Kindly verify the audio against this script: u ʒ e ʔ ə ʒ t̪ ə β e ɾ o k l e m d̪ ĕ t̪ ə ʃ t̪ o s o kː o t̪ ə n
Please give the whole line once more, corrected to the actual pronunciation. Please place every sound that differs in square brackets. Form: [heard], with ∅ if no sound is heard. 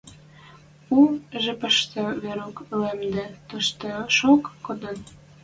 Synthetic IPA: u ʒ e [p] ə [ʃ] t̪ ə β e ɾ o k l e m d̪ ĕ t̪ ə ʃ t̪ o [ʃ] o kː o [d̪] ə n